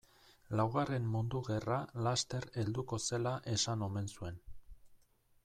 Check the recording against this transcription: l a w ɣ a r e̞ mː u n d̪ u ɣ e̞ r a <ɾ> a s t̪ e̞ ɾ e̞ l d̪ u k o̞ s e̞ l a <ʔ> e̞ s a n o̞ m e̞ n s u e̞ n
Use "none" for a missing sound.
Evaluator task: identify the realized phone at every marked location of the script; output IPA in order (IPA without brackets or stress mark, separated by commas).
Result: l, ʔ